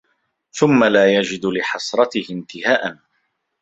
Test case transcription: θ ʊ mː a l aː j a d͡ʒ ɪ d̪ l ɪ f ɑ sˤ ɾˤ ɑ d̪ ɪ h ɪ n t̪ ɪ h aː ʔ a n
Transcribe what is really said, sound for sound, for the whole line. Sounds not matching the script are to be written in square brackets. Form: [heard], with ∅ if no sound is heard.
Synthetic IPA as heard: θ ʊ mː a l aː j a d͡ʒ ɪ d̪ l ɪ [ħ] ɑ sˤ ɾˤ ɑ [t̪] ɪ h ɪ n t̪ ɪ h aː ʔ a n